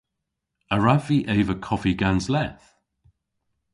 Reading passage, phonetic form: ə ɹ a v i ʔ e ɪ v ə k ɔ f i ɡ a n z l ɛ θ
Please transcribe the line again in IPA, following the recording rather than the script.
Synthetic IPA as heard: ə ɹ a v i ʔ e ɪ v ə kʰ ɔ f i ɡ a n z l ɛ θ